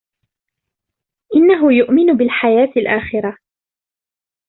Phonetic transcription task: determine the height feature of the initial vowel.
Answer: high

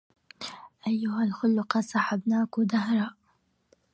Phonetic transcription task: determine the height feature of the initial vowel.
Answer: low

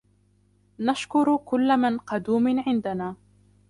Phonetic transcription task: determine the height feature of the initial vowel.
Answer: low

